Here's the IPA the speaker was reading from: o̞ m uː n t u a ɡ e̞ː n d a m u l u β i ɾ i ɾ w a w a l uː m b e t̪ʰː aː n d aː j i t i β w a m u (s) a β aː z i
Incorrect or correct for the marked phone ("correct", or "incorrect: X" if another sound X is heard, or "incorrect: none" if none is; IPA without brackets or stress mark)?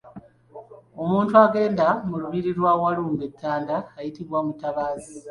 incorrect: t